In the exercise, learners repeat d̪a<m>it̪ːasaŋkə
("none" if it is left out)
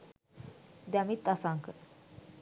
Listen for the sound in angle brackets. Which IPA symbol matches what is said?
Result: m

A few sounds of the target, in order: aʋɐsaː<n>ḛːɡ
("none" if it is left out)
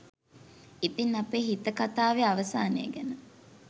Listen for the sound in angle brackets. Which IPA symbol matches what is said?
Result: n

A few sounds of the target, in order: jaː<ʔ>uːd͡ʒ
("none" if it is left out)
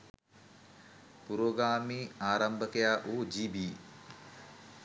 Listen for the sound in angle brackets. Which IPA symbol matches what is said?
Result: ʔ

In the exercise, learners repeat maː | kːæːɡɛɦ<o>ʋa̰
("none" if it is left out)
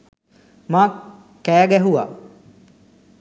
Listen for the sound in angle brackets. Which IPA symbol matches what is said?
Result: u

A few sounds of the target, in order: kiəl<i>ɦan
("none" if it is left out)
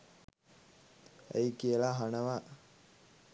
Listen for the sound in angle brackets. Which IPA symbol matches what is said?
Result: a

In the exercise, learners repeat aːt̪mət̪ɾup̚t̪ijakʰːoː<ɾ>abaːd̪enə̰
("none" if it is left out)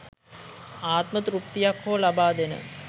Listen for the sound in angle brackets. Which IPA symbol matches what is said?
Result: l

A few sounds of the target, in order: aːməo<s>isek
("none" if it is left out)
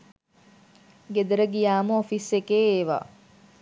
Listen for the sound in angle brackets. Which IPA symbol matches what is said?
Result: f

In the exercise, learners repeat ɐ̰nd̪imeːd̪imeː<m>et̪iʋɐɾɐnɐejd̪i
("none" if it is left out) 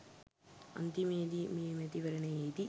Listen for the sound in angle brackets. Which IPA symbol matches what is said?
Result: m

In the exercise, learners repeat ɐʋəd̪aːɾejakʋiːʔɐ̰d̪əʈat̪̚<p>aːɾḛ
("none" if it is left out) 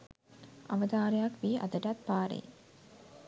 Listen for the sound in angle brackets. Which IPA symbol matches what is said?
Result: p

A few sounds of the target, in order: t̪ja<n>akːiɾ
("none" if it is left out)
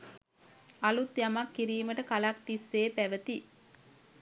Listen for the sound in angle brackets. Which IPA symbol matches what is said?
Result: m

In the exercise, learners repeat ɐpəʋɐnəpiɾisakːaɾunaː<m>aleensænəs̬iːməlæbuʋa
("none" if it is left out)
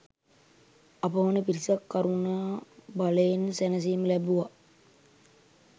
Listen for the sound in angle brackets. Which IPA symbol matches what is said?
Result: b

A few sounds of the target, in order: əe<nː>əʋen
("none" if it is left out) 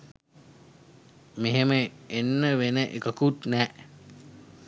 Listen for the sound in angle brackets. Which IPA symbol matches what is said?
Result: nː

